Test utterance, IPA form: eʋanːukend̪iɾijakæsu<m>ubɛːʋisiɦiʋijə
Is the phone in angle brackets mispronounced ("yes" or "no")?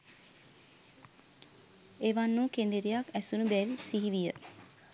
yes